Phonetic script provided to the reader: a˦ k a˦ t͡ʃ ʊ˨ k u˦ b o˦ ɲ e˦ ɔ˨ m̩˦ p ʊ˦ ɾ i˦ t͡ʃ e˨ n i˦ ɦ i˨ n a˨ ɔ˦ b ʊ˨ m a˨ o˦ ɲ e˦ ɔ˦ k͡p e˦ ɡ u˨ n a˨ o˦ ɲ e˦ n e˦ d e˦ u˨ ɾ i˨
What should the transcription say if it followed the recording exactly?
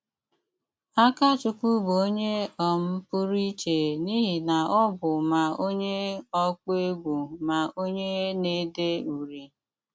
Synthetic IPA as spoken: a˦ k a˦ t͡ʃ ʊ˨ k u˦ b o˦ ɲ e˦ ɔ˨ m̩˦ p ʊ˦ ɾ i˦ t͡ʃ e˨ n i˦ ɦ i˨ n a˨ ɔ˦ b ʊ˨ m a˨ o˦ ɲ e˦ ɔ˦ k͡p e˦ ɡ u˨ m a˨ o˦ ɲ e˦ n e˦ d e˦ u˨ ɾ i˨

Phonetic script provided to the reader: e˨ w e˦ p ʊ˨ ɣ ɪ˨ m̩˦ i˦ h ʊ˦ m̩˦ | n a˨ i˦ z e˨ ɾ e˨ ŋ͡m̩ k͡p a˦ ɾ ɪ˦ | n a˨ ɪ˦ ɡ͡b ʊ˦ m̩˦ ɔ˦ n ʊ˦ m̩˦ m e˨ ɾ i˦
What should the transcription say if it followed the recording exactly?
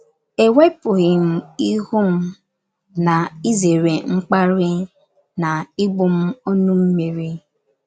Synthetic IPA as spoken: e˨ w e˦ p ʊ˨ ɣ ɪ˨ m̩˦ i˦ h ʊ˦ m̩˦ | n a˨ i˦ z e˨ ɾ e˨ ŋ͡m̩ k͡p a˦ ɾ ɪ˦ | n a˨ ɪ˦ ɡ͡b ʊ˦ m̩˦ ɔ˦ n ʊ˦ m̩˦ m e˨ ɾ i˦

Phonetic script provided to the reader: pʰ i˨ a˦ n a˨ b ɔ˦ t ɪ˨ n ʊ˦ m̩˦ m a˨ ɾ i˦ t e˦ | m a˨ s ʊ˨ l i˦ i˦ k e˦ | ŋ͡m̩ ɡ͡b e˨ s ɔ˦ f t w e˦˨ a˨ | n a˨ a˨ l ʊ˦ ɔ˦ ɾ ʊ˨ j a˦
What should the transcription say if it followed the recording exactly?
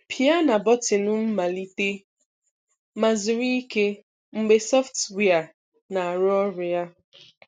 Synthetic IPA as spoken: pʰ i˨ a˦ n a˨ b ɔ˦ t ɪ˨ n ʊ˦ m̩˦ m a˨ l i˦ t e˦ | m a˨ z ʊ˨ ɾ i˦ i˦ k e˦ | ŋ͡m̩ ɡ͡b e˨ s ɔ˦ f t w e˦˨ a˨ | n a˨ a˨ ɾ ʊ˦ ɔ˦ ɾ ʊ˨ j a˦

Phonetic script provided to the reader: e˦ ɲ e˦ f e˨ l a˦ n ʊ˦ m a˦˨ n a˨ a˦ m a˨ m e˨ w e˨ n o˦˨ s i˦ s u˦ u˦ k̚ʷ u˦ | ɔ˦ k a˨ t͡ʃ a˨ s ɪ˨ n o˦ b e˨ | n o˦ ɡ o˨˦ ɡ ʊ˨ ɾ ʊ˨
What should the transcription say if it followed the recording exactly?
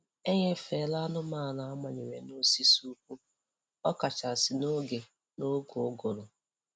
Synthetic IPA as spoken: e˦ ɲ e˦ f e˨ l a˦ n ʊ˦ m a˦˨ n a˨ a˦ m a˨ ɲ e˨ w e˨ n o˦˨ s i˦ s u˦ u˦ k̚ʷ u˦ | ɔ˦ k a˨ t͡ʃ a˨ s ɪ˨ n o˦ ɡ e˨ | n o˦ ɡ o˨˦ ɡ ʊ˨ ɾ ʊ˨

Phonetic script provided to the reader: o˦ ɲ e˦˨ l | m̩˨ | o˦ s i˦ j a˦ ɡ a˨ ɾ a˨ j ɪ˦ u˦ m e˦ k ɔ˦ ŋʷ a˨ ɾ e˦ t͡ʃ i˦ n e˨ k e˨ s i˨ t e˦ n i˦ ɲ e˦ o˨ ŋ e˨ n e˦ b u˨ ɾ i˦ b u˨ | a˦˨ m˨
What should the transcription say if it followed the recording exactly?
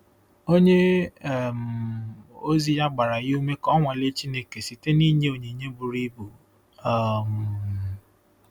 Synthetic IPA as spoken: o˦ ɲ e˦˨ | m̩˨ | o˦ z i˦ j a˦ ɡ͡b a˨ ɾ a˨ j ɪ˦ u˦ m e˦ k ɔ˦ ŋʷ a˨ l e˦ t͡ʃ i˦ n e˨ k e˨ s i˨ t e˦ n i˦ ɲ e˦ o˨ ɲ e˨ ɲ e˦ b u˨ ɾ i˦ b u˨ | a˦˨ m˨

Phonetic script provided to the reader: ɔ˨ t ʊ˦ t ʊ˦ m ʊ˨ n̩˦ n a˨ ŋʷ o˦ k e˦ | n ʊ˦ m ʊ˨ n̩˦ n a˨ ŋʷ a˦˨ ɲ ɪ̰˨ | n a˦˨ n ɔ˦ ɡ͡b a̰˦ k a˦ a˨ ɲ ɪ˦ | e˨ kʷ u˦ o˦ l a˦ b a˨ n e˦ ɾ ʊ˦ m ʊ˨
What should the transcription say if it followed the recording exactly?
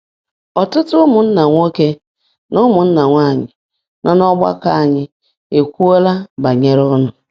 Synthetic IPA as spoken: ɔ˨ t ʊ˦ t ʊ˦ m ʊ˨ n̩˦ n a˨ ŋʷ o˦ k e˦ | n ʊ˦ m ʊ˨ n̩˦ n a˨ ŋʷ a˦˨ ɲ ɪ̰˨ | n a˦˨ n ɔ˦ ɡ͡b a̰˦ k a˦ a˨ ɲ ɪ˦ | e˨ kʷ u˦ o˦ l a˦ b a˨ ɲ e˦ ɾ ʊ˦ n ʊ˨

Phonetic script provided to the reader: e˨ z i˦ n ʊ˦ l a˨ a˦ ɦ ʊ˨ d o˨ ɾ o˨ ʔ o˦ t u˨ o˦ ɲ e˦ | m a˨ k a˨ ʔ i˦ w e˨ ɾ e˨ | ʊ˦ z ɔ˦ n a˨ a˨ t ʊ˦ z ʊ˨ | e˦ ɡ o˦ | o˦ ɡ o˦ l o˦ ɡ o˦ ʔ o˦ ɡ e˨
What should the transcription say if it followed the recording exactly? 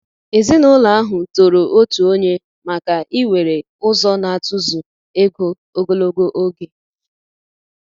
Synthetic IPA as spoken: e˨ z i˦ n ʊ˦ l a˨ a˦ ɦ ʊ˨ t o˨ ɾ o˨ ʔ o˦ t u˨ o˦ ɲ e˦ | m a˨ k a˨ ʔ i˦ w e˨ ɾ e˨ | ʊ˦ z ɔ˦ n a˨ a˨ t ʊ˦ z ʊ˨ | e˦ ɡ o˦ | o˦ ɡ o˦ l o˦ ɡ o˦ ʔ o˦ ɡ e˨

